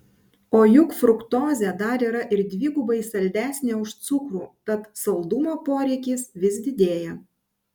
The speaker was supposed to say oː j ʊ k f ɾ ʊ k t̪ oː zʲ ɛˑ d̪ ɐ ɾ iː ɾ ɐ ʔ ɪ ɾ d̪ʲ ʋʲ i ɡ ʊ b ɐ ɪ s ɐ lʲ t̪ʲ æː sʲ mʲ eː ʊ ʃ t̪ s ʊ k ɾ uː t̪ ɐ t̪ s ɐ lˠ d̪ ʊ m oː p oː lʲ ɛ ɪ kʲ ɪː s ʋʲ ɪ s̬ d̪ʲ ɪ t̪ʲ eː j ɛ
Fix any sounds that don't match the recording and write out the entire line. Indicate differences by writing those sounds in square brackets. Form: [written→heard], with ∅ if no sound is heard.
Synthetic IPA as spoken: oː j ʊ k f ɾ ʊ k t̪ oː zʲ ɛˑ d̪ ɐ ɾ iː ɾ ɐ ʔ ɪ ɾ d̪ʲ ʋʲ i ɡ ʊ b ɐ ɪ s ɐ lʲ [t̪ʲ→d̪ʲ] æː sʲ [mʲ→nʲ] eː ʊ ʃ t̪ s ʊ k ɾ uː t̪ ɐ t̪ s ɐ lˠ d̪ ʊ m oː p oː [lʲ→ɾʲ] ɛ ɪ kʲ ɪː s ʋʲ ɪ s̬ d̪ʲ ɪ [t̪ʲ→d̪ʲ] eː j ɛ